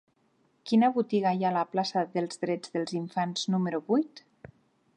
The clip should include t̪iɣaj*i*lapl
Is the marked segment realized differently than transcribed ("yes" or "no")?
yes